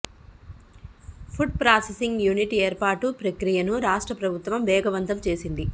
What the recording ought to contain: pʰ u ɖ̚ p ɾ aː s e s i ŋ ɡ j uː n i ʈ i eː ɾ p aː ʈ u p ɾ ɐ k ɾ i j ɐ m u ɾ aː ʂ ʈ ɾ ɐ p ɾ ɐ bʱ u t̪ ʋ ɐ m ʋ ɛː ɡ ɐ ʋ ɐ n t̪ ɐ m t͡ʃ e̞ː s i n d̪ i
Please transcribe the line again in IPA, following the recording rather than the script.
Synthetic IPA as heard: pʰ u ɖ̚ p ɾ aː s e s i ŋ ɡ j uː n i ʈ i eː ɾ p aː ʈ u p ɾ ɐ k ɾ i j ɐ n u ɾ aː ʂ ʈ ɾ ɐ p ɾ ɐ bʱ u t̪ ʋ ɐ m ʋ ɛː ɡ ɐ ʋ ɐ n t̪ ɐ m t͡ʃ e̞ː s i n d̪ i